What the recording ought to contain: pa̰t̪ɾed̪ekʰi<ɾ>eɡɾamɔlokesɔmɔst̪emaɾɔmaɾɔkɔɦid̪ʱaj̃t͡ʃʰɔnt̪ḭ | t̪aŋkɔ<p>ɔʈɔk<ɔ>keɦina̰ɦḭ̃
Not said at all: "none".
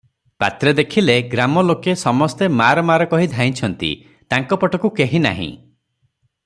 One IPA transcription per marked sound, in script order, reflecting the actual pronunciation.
l, p, u

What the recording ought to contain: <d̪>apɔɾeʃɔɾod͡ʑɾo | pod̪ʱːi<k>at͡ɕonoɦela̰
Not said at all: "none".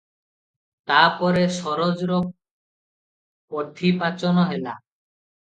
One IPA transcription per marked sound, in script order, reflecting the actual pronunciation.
t̪, p

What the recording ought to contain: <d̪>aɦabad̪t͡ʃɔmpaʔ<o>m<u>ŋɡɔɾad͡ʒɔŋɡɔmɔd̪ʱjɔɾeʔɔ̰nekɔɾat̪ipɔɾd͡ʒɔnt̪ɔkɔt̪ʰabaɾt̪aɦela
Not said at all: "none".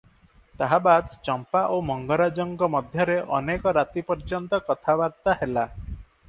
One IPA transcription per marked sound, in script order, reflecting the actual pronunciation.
t̪, o, ɔ

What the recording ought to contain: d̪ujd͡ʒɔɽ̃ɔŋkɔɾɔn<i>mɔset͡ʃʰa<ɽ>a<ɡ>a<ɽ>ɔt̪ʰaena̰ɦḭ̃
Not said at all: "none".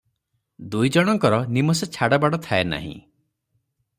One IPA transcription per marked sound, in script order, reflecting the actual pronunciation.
i, ɽ, b, ɽ

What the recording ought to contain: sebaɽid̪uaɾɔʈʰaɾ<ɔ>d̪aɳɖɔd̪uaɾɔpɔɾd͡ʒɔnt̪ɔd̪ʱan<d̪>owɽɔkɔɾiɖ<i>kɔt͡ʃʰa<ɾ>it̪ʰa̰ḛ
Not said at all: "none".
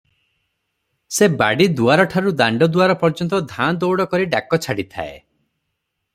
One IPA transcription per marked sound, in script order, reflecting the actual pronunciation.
u, d̪, a, ɽ

